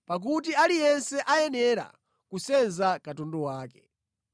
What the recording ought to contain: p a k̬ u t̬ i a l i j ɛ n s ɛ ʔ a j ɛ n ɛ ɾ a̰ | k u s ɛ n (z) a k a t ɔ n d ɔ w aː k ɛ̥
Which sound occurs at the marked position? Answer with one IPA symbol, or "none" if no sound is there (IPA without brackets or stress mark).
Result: z